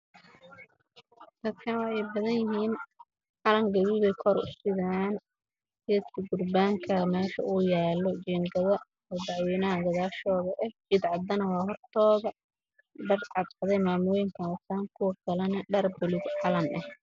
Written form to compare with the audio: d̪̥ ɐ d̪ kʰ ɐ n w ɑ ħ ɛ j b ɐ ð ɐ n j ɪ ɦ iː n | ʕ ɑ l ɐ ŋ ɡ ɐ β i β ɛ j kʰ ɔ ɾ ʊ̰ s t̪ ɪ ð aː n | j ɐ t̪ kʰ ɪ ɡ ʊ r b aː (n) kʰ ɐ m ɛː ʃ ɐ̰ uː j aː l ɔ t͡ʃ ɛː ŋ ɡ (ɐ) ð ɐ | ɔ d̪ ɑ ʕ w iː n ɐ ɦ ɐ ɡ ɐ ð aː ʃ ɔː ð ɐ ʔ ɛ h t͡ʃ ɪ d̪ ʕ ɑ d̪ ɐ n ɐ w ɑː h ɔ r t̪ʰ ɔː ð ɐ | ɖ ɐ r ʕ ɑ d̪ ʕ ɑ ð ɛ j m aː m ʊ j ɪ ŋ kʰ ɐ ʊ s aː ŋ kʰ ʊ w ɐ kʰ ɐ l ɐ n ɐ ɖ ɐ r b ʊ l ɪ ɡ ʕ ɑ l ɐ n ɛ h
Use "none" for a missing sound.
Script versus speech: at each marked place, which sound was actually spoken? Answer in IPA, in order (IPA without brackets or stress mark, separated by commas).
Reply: ŋ, ɐ